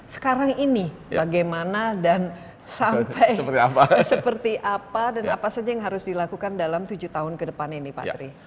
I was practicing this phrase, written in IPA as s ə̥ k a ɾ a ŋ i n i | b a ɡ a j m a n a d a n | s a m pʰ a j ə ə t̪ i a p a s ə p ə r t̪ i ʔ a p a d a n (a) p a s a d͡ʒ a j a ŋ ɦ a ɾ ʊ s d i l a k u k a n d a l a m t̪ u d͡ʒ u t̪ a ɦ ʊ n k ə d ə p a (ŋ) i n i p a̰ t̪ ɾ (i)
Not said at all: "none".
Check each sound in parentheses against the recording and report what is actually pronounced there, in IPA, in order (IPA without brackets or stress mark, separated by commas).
a, n, i